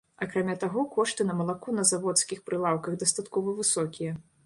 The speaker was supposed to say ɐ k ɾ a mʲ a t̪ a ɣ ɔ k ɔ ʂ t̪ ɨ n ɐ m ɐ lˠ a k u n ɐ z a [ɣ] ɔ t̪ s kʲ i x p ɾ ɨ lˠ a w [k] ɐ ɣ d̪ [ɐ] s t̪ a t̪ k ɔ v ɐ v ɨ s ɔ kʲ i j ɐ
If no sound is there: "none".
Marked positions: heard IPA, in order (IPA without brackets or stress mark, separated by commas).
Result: v, k, ɐ